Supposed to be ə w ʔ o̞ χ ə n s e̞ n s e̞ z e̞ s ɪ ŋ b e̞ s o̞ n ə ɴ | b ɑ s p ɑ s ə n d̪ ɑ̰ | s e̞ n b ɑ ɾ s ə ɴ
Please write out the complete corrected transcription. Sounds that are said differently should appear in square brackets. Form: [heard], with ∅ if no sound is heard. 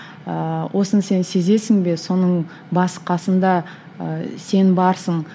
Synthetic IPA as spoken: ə w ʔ o̞ [s] ə n s e̞ n s e̞ z e̞ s ɪ ŋ b e̞ s o̞ n ə ɴ | b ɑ s [q] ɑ s ə n d̪ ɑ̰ | s e̞ n b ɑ ɾ s ə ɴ